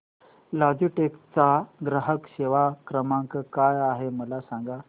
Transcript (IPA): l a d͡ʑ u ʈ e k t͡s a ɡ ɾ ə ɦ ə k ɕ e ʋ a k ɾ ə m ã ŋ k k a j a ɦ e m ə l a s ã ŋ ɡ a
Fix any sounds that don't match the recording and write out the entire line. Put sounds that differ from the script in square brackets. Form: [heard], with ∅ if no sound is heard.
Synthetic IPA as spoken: l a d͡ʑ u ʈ e k t͡s a ɡ ɾ ə ɦ ə k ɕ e ʋ a k ɾ ə m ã ŋ k k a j a ɦ e m ə l a s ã ŋ ɡ a